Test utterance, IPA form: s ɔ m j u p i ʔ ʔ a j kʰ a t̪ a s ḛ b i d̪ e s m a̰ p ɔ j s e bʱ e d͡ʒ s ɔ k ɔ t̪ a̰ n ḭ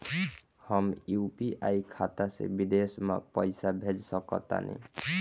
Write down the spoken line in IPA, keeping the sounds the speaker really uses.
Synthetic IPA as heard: h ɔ m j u p i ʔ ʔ a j kʰ a t̪ a s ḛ b i d̪ e s m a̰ p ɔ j s a bʱ e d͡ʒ s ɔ k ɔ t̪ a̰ n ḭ